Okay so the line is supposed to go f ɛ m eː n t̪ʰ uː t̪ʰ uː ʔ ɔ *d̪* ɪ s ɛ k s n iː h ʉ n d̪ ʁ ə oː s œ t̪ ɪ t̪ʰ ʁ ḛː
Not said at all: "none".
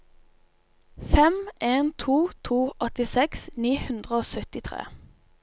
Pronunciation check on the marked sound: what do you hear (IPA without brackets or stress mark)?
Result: t̪